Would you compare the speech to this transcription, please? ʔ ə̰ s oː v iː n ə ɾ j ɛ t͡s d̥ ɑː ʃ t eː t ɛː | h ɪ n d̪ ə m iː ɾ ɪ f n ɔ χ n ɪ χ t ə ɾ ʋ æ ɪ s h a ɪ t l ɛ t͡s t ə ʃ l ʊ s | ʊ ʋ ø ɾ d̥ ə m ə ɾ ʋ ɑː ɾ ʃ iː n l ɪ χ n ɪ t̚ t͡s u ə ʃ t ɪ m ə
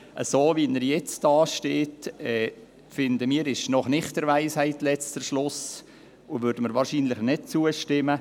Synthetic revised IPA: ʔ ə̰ s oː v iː n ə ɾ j ɛ t͡s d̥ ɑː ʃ t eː t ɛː | f ɪ n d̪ ə m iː ɾ ɪ ʃ n ɔ χ n ɪ χ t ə ɾ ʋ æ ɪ s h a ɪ t l ɛ t͡s t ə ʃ l ʊ s | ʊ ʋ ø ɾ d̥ ə m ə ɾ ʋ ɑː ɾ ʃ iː n l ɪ χ n ɪ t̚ t͡s u ə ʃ t ɪ m ə